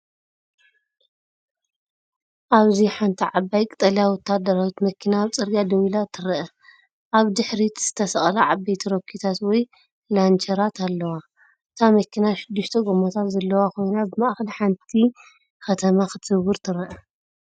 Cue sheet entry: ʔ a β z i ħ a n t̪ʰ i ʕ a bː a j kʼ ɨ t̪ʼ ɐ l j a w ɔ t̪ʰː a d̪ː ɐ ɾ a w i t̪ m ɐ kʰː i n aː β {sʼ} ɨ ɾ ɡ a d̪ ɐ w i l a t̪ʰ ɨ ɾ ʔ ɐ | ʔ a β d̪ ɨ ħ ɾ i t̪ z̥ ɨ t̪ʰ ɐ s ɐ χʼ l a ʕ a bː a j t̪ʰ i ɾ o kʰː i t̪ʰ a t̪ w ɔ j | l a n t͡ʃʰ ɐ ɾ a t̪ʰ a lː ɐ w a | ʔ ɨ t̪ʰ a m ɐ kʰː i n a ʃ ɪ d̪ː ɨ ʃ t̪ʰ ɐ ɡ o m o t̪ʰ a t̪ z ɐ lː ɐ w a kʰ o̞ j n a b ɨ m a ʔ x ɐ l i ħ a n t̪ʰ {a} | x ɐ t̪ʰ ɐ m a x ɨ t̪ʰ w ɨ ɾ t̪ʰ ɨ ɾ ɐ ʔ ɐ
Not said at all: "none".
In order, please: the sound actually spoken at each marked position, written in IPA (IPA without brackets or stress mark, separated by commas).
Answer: t͡sʼ, i